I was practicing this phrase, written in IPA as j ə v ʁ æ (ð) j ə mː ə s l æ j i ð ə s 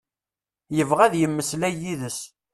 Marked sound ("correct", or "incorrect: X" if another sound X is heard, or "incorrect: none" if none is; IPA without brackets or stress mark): correct